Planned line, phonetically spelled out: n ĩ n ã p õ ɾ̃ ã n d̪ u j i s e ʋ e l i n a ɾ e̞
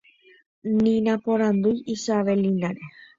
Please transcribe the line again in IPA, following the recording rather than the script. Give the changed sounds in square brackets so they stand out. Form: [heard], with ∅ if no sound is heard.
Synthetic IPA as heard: n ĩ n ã p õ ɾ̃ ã n d̪ u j i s [a] ʋ e l i n a ɾ e̞